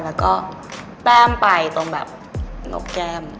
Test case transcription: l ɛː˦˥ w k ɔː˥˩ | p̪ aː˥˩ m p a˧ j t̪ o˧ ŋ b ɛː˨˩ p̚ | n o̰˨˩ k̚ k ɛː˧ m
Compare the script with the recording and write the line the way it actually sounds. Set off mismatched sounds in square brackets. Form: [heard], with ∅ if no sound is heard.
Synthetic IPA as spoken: l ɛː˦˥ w k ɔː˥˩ | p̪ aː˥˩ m p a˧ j t̪ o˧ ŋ b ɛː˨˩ p̚ | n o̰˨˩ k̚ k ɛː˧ m